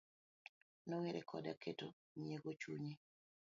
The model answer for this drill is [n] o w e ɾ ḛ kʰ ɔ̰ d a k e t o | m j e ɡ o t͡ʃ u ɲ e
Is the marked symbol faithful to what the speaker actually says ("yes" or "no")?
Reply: yes